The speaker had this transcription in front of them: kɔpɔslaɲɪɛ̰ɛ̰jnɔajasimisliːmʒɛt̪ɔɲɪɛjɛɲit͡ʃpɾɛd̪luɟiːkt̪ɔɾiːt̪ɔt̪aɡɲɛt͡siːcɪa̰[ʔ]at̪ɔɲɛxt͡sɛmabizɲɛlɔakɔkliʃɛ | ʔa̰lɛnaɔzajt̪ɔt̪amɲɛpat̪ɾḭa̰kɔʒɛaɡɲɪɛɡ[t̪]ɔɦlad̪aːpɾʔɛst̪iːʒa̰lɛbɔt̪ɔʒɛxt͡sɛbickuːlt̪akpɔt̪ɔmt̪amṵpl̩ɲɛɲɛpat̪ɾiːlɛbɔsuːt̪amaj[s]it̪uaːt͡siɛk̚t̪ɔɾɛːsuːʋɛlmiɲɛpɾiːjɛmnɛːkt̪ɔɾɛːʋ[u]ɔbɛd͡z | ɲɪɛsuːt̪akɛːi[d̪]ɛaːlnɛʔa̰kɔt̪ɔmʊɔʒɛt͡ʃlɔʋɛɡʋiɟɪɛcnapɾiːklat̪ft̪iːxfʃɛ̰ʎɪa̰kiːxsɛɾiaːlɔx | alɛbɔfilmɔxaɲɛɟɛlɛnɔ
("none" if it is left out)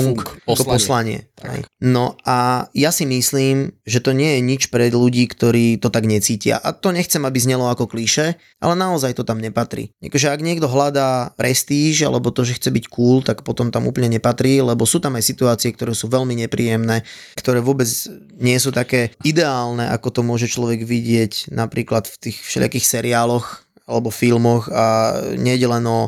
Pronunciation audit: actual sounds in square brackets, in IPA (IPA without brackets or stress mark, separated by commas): ʔ, d̪, s, ʊ, d̪